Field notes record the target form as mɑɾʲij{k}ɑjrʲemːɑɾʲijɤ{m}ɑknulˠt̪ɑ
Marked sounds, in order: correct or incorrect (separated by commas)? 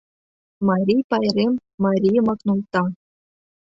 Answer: incorrect, correct